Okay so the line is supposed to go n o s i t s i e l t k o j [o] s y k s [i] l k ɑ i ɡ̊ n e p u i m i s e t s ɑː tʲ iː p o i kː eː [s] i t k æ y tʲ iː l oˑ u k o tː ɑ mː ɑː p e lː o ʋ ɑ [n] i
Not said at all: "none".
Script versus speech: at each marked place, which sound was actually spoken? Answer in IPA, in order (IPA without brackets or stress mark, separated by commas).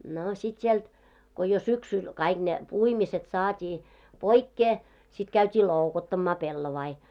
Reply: o, y, s, none